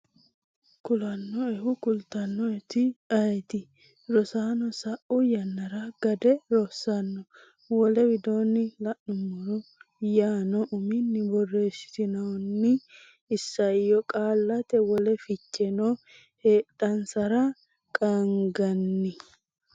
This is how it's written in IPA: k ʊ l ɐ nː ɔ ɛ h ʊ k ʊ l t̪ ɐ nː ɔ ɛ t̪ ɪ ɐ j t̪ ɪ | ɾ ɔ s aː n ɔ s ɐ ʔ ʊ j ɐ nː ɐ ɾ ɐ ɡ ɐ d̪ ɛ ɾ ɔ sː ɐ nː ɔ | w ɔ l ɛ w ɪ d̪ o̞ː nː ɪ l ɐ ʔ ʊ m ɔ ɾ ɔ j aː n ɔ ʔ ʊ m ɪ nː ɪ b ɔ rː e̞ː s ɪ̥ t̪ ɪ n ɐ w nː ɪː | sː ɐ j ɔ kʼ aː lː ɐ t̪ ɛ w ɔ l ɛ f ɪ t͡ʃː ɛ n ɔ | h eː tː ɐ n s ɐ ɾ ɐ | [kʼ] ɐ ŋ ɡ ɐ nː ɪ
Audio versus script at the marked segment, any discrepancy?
no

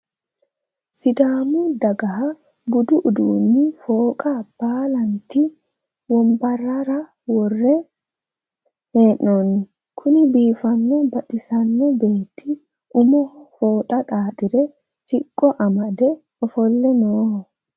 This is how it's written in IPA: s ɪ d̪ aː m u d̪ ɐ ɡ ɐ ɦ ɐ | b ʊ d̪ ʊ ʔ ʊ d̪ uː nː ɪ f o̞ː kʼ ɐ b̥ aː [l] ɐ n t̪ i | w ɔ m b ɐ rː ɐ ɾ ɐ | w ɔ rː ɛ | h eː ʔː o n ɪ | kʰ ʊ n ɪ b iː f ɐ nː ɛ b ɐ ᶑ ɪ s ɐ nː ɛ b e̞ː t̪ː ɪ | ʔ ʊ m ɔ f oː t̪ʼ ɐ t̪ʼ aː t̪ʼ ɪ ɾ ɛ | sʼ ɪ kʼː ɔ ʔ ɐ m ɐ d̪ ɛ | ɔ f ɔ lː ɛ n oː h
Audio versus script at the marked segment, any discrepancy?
no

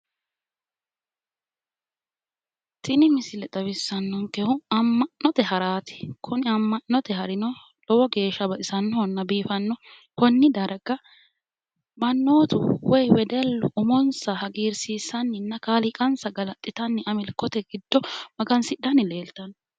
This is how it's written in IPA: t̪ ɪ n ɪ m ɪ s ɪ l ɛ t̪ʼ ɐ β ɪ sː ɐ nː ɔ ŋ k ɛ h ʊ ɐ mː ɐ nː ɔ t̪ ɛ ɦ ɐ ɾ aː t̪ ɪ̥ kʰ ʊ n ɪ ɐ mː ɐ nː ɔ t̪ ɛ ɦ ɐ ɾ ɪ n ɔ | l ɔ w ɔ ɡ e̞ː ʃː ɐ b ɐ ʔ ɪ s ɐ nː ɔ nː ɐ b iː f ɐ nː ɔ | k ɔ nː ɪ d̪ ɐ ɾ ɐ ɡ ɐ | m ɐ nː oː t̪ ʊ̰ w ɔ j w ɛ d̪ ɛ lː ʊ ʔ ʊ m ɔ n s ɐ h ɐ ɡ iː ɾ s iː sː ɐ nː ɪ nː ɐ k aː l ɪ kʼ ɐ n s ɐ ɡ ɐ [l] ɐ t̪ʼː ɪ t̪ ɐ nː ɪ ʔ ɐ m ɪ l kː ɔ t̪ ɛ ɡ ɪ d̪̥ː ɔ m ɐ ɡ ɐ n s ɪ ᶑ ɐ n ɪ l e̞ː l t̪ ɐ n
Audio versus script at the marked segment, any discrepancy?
no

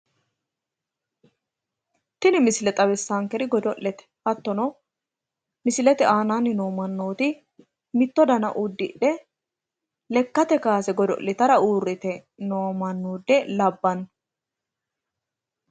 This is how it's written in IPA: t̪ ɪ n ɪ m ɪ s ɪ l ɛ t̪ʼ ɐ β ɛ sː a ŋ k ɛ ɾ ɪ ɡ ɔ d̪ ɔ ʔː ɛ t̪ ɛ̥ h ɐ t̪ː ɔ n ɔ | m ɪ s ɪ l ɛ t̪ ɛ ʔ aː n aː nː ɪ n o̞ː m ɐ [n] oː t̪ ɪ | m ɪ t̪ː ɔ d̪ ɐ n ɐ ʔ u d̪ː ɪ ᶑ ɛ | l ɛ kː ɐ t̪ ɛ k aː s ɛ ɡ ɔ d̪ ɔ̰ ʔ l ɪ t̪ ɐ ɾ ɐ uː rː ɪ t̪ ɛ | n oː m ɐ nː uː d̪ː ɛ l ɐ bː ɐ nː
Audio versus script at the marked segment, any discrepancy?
yes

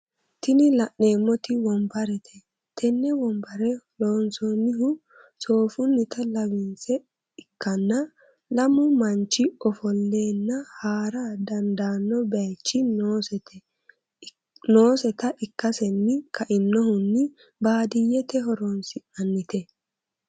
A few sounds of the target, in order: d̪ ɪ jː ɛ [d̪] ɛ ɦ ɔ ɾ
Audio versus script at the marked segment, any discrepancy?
yes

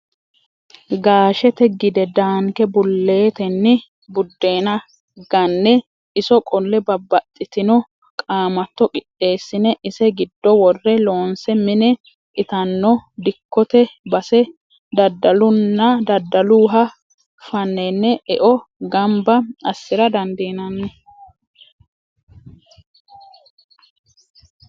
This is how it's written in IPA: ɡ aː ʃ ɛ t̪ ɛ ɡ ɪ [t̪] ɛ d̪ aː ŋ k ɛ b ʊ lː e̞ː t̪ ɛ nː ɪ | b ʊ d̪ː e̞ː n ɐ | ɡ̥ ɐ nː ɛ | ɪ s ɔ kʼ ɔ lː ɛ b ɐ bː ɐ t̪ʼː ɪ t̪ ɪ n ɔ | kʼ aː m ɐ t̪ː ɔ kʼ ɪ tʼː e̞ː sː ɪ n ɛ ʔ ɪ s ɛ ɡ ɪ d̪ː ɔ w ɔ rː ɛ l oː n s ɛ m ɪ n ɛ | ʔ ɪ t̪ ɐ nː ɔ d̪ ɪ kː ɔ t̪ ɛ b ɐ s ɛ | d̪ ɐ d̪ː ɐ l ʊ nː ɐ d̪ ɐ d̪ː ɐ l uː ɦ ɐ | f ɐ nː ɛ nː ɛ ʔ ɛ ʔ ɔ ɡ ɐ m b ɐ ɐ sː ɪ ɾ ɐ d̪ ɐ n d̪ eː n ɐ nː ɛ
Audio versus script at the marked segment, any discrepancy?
yes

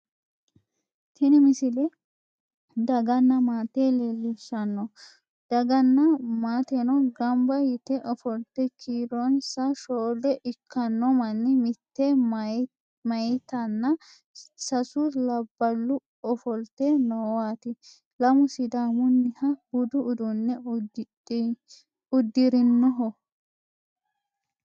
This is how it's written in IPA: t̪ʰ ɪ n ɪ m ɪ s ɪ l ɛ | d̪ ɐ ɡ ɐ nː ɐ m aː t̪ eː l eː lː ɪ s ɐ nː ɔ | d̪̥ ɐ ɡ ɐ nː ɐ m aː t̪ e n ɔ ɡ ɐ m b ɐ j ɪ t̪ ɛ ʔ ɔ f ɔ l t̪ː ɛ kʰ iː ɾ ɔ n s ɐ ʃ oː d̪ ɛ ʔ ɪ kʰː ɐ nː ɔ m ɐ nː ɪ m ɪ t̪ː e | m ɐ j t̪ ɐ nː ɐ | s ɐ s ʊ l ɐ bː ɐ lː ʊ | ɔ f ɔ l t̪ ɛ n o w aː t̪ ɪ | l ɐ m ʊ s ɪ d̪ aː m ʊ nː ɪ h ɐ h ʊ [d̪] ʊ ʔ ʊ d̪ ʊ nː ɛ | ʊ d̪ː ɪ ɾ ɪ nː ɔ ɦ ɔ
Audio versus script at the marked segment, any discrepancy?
no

